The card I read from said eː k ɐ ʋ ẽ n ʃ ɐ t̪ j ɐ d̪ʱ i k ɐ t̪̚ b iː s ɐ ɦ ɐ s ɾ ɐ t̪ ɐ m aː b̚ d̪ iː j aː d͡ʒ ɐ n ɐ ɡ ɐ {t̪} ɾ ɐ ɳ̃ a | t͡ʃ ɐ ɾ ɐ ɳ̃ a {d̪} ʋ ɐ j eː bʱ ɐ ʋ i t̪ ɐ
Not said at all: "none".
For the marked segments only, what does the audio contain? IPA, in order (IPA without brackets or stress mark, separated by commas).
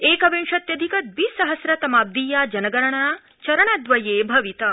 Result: none, d̪